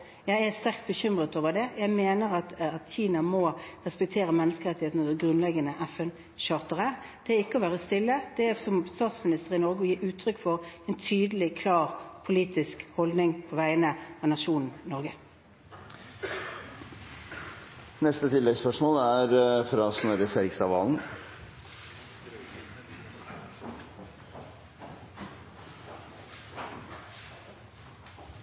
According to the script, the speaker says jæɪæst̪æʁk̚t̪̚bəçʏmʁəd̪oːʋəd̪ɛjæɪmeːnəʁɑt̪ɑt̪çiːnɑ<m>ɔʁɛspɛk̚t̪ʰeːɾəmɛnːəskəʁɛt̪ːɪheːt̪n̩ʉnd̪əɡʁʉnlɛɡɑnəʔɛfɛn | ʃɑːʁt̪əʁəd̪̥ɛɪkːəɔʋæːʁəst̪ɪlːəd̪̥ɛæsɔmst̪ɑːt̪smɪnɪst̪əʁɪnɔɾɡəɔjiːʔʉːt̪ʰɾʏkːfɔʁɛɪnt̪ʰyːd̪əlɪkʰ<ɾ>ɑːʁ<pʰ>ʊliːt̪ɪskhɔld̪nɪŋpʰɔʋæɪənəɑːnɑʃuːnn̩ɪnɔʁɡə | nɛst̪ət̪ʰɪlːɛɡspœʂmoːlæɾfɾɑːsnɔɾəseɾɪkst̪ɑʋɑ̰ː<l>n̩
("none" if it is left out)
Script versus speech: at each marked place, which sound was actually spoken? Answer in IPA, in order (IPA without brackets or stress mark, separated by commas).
m, l, pʰ, l